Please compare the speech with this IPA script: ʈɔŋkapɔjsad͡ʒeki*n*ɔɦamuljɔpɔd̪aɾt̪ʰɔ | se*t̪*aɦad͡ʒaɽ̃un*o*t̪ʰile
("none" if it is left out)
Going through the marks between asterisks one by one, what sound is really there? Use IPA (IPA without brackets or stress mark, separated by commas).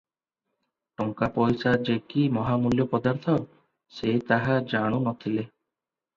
m, t̪, ɔ